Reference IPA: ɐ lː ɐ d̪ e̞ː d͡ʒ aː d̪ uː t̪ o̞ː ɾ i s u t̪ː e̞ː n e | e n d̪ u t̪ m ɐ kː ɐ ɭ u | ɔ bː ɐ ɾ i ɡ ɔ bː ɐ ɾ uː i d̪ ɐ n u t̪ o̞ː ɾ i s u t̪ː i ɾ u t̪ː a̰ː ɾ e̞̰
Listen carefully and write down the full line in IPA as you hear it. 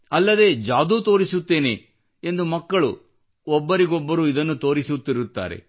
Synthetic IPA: ɐ lː ɐ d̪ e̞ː d͡ʒ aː d̪ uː t̪ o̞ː ɾ i s u t̪ː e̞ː n e | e n d̪ u m ɐ kː ɐ ɭ u | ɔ bː ɐ ɾ i ɡ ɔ bː ɐ ɾ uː i d̪ ɐ nː u t̪ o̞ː ɾ i s u t̪ː i ɾ u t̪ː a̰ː ɾ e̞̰

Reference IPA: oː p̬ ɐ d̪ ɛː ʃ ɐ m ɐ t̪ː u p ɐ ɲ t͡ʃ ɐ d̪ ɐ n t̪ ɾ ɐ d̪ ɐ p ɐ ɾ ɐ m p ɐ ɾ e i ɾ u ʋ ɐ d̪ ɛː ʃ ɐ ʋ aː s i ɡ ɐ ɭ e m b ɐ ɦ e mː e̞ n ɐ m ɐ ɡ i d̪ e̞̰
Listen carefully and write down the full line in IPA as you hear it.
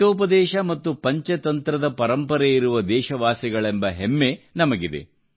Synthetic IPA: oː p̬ ɐ d̪ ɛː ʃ ɐ m ɐ t̪ː u p ɐ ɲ t͡ʃ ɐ t̪ ɐ n t̪ ɾ ɐ d̪ ɐ p ɐ ɾ ɐ m p ɐ ɾ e i ɾ u ʋ ɐ d̪ ɛː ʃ ɐ ʋ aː s i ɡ ɐ ɭ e m b ɐ ɦ e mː e̞ n ɐ m ɐ ɡ i d̪ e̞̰

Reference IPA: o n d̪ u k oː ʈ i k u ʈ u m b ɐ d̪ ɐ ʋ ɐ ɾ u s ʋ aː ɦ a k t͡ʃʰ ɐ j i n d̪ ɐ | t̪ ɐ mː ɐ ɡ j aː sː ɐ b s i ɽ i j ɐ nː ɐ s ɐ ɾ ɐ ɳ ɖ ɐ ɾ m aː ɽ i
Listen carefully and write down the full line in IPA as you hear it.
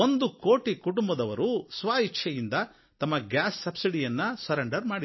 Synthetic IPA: o n d̪ u k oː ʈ i k u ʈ u m b ɐ d̪ ɐ ʋ ɐ ɾ u s ʋ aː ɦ i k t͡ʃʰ ɐ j i n d̪ ɐ | t̪ ɐ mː ɐ ɡ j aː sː ɐ b s i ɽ i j ɐ nː ɐ s ɐ ɾ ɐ ɳ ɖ ɐ ɾ m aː ɽ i

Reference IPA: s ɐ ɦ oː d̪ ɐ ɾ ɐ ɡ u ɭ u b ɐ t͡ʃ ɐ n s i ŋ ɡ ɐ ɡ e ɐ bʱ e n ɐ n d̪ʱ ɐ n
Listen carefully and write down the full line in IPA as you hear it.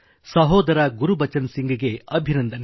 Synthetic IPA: s ɐ ɦ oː d̪ ɐ ɾ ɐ ɡ u ɾ u b ɐ t͡ʃ ɐ n s i ŋ ɡ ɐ ɡ e ɐ bʱ i n ɐ n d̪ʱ ɐ n

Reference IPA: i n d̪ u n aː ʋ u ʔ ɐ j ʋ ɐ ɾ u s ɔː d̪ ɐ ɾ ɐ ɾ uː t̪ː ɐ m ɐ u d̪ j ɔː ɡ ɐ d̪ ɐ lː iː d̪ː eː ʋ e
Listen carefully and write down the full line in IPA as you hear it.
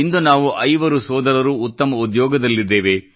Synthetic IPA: i n d̪ u n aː ʋ u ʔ ɐ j ʋ ɐ ɾ u s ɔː d̪ ɐ ɾ ɐ ɾ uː t̪ː ɐ m ɐ u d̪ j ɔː ɡ ɐ d̪ ɐ lː i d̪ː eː ʋ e

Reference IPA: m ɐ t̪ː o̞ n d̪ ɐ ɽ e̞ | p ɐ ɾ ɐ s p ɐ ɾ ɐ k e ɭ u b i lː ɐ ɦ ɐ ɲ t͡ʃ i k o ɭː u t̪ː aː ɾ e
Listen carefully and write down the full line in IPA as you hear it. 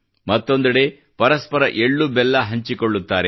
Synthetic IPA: m ɐ t̪ː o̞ n d̪ ɐ ɽ e̞ | p ɐ ɾ ɐ s p ɐ ɾ ɐ ʔ e ɭː u b ɛ lː ɐ ɦ ɐ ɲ t͡ʃ i k o ɭː u t̪ː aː ɾ e

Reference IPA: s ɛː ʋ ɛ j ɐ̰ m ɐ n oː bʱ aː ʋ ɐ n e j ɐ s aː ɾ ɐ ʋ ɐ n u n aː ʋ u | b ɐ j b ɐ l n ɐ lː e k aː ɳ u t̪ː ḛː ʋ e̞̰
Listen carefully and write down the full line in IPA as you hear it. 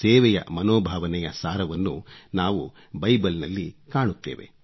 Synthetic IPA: s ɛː ʋ ɛ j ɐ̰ m ɐ n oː bʱ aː ʋ ɐ n ɛ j ɐ s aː ɾ ɐ ʋ ɐ nː u n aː ʋ u | b ɐ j b ɐ l n ɐ lː i k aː ɳ u t̪ː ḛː ʋ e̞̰

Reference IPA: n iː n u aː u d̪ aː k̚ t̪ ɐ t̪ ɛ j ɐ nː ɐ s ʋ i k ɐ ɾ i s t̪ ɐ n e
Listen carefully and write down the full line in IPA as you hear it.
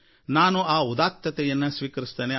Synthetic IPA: n aː n u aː u d̪ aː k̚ t̪ ɐ t̪ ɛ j ɐ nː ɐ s ʋ iː k ɐ ɾ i s t̪ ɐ n e

